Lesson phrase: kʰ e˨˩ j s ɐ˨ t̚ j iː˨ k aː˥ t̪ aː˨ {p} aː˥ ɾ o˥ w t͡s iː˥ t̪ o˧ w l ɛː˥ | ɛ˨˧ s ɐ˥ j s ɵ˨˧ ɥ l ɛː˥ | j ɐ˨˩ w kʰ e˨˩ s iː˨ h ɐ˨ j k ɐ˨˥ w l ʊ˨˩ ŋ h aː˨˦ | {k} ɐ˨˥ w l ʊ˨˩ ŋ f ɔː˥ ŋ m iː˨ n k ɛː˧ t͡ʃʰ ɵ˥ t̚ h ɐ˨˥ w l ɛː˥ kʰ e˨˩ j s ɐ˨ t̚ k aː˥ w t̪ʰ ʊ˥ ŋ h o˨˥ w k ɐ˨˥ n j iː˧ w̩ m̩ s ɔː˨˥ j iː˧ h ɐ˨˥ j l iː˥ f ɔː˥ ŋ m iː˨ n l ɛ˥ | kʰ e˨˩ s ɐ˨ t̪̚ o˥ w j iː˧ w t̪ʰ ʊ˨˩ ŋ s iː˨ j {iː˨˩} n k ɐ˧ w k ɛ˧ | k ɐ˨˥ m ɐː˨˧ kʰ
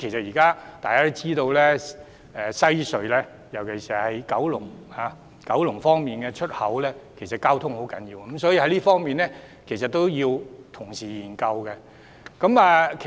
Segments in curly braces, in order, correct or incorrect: incorrect: k, correct, correct

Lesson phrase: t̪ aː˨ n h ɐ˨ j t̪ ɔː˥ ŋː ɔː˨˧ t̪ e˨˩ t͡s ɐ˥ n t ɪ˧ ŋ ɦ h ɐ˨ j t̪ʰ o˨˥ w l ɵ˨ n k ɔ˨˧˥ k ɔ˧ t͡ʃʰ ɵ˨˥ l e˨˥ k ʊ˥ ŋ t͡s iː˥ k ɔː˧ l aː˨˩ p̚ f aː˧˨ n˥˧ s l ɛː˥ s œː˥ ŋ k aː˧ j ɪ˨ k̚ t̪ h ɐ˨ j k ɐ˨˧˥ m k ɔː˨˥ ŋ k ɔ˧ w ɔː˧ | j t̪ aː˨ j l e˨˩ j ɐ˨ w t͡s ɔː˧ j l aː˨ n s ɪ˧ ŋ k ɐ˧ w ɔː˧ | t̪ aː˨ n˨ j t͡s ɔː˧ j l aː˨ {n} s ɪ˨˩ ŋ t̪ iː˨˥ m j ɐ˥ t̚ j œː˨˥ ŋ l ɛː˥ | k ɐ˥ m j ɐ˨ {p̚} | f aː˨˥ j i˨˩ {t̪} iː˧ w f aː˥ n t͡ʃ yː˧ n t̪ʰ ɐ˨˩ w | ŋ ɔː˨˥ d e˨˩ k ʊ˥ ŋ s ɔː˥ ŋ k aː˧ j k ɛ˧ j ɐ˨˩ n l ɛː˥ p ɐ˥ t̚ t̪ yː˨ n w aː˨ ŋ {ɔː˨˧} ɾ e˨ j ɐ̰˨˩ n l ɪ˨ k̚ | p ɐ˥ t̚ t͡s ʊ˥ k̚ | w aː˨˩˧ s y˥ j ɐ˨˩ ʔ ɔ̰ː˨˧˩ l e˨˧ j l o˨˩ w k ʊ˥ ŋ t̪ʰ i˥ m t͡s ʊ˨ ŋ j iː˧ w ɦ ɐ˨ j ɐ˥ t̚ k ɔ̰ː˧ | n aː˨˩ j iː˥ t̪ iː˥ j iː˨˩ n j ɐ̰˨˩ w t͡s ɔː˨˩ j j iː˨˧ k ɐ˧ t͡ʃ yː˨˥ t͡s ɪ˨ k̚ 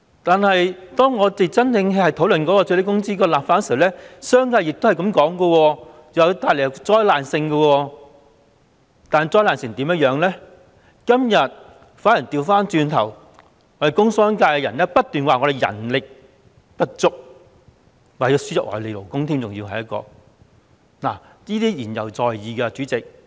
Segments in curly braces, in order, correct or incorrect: correct, incorrect: t̚, correct, incorrect: ɔ˨˧

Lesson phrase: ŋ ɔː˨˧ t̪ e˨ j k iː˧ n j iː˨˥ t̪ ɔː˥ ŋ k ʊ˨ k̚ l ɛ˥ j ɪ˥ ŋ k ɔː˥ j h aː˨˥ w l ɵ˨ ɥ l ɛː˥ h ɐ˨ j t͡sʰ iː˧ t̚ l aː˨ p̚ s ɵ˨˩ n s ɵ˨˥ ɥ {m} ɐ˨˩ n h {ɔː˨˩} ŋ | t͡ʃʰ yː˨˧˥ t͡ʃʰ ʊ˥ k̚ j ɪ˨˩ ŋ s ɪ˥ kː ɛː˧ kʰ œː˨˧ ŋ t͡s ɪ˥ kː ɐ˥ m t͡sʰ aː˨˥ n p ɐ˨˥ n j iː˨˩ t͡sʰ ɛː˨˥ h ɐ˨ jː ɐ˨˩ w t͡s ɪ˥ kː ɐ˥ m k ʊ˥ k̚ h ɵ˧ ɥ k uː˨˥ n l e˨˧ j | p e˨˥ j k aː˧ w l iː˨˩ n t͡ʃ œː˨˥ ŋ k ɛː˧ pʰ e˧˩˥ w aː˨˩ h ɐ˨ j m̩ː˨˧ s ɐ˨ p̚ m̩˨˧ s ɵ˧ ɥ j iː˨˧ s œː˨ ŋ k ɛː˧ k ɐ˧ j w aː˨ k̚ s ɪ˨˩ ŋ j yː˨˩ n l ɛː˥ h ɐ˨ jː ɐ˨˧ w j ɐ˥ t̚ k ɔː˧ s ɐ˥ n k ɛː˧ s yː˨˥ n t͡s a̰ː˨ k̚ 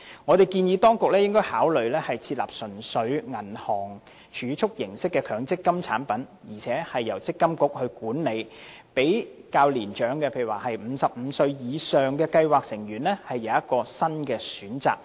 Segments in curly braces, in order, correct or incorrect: incorrect: ŋ, correct

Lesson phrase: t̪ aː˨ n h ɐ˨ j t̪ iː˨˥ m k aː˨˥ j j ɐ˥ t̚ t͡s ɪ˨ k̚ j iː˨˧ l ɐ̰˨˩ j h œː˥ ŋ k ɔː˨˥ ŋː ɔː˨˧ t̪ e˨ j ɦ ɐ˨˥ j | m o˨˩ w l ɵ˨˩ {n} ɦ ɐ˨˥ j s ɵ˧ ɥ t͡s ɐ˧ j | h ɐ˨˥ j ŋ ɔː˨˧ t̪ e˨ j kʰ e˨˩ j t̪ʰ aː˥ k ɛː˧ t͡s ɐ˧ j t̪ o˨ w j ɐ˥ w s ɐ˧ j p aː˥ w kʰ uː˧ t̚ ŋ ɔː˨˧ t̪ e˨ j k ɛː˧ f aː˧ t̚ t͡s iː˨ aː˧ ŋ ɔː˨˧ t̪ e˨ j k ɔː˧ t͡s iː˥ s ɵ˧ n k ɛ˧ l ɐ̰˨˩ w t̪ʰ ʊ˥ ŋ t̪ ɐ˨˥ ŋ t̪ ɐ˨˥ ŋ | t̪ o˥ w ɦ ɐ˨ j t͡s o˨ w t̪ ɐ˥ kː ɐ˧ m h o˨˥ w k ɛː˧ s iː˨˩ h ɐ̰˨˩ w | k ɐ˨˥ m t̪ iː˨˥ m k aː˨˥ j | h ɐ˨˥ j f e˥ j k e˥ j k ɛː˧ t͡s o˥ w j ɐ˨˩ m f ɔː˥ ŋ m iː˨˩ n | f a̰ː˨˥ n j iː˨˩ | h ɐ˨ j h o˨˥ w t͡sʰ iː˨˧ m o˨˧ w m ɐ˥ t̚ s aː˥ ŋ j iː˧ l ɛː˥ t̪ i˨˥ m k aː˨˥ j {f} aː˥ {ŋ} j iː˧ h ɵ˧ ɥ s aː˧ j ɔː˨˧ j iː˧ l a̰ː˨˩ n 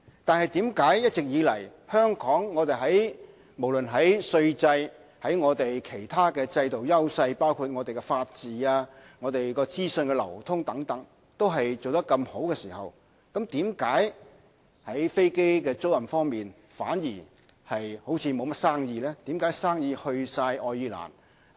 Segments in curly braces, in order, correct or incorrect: correct, incorrect: s, correct

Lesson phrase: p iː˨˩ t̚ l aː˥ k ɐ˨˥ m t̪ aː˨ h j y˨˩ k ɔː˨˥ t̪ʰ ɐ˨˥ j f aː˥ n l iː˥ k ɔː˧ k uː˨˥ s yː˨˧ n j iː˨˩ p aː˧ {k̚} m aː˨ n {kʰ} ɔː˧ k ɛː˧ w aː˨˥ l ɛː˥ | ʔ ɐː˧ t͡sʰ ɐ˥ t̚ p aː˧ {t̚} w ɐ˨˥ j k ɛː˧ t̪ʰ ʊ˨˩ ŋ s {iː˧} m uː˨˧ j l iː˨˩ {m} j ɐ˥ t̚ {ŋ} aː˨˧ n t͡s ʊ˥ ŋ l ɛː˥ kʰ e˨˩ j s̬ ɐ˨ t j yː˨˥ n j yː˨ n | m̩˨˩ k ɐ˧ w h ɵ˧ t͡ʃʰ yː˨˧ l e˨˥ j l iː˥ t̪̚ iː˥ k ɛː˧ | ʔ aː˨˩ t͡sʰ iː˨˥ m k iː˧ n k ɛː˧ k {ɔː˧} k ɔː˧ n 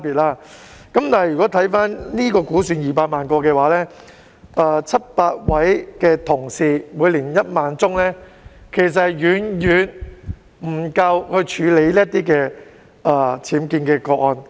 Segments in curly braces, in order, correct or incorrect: incorrect: t̚, incorrect: k, correct, correct, incorrect: n, incorrect: m, correct

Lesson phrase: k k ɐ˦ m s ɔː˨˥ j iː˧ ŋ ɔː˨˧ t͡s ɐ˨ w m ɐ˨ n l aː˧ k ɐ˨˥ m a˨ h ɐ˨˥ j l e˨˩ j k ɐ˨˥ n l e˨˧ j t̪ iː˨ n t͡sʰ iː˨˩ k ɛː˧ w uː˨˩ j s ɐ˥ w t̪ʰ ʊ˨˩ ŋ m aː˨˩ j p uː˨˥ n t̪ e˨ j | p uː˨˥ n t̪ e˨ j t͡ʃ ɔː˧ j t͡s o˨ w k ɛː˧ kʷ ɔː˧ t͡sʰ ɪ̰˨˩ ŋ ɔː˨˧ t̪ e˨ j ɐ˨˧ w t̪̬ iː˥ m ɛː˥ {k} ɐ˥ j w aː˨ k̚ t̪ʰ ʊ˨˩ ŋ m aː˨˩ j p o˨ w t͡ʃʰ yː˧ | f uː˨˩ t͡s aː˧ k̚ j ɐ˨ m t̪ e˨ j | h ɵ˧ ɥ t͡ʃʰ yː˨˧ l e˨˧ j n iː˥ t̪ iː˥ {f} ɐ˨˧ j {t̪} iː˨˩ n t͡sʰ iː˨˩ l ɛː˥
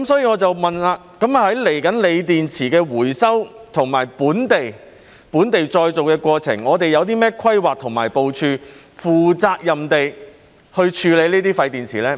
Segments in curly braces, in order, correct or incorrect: incorrect: kʰ, correct, correct

